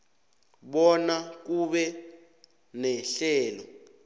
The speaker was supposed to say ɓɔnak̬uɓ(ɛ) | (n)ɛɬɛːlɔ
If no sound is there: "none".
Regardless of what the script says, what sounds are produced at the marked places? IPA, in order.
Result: ɛ, n

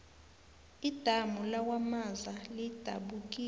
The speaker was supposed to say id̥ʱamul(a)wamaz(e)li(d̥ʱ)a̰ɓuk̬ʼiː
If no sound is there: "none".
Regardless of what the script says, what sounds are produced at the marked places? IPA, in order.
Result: a, a, d̥ʱ

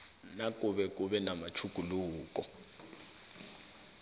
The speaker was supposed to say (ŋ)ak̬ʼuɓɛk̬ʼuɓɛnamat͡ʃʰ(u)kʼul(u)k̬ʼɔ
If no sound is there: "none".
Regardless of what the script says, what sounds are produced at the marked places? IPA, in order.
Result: n, u, uː

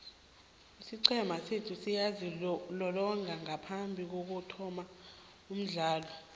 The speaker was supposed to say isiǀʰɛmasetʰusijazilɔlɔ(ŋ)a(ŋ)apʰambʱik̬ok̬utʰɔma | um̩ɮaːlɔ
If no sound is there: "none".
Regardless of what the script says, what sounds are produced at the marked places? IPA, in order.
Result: ŋ, ŋ

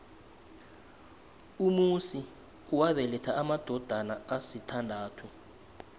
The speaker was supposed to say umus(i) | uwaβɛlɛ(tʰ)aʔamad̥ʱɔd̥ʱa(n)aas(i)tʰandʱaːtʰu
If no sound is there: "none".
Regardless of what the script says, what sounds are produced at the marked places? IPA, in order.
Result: i, tʰ, n, i

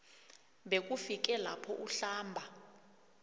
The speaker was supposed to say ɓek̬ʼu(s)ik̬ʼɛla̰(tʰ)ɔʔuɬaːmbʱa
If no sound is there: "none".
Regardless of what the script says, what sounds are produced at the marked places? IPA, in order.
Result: f, pʰ

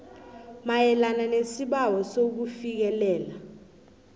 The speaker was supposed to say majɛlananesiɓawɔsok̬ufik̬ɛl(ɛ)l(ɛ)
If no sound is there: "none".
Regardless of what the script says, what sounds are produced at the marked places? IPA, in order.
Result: ɛː, a

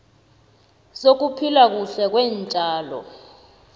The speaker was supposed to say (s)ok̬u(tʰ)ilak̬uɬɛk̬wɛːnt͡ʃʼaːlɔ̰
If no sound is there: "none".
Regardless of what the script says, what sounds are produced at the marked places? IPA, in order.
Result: s, pʰ

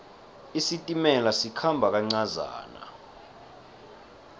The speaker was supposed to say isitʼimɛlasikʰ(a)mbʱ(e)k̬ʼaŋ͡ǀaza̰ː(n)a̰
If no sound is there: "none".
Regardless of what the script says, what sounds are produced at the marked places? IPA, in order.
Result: a, a, n

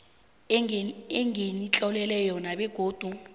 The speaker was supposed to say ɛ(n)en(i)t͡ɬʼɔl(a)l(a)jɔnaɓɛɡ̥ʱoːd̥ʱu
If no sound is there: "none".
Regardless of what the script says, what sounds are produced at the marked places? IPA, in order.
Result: ŋ, i, ɛ, ɛ

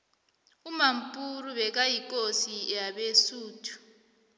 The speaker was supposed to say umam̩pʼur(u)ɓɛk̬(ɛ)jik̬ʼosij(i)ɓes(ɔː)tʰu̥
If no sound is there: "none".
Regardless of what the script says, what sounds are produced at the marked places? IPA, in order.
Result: u, a, a, uː

